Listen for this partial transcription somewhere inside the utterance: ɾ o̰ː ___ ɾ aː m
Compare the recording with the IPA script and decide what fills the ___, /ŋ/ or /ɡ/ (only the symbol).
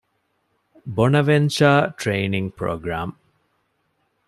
ɡ